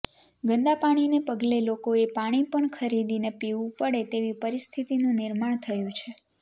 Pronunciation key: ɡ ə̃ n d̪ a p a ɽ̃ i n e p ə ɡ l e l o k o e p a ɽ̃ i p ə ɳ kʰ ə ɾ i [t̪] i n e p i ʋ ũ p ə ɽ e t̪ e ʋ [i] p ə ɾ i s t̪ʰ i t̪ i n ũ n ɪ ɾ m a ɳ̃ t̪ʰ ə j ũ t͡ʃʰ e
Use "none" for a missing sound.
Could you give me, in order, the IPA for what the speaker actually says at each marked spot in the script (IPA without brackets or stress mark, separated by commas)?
d̪, i